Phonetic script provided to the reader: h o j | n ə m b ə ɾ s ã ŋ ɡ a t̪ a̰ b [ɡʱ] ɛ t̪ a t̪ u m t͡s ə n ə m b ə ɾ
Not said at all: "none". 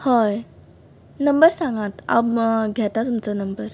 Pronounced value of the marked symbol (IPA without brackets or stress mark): ɡʱ